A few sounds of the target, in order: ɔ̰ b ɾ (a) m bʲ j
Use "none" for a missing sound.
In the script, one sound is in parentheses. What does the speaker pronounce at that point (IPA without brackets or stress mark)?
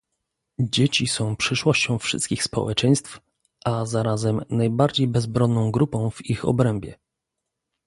ɛ